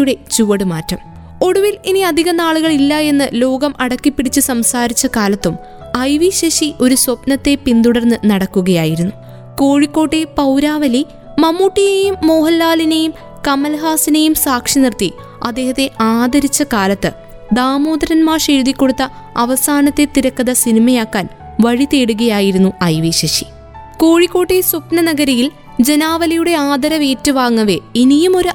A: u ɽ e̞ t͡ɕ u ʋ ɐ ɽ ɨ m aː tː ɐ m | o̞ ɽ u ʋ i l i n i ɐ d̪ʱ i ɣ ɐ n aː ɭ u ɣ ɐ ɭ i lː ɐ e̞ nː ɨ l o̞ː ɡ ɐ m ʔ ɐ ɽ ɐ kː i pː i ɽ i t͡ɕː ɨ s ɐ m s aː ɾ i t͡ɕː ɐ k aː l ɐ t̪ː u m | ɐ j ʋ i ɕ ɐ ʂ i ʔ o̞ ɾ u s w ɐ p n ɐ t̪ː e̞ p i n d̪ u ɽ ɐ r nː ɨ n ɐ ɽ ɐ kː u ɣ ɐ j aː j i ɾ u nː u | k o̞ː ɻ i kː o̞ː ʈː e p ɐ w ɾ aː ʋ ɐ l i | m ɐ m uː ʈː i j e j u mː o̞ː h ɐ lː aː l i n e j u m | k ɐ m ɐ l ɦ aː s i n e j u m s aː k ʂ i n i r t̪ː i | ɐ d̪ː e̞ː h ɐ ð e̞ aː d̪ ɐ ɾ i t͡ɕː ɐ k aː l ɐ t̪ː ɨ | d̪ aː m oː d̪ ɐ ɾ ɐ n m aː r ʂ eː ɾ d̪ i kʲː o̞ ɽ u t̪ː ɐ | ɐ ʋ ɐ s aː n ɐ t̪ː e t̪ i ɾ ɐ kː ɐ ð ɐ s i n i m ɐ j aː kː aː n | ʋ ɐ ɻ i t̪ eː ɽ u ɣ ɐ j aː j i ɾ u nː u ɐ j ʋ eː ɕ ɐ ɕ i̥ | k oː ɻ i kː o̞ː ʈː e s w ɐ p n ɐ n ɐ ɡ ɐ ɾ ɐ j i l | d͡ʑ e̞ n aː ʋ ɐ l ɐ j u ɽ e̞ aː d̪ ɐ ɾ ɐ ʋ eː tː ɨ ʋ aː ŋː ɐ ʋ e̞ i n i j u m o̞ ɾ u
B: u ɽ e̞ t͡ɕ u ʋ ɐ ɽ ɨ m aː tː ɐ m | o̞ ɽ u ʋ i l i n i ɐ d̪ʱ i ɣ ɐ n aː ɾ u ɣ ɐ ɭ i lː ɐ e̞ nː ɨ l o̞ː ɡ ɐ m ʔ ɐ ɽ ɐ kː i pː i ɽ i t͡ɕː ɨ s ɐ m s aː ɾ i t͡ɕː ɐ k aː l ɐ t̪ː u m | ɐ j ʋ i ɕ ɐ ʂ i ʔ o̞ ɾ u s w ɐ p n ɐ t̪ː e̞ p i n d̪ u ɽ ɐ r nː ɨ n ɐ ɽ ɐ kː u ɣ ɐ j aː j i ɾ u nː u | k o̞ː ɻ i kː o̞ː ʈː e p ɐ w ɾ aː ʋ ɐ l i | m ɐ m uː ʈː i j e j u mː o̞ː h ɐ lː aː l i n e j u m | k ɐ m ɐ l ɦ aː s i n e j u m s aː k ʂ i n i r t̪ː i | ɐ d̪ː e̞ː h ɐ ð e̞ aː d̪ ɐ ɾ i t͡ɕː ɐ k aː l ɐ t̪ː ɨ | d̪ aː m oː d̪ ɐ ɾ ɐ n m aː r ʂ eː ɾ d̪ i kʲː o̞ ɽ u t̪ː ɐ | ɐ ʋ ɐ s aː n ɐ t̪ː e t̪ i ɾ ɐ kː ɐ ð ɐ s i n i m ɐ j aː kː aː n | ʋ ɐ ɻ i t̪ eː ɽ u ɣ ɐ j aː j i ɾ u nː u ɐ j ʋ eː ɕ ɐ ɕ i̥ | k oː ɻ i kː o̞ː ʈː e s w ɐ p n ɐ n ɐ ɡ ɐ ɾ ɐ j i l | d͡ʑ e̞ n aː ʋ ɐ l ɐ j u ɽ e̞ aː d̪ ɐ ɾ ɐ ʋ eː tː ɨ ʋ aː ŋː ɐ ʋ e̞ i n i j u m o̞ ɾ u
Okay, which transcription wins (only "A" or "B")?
A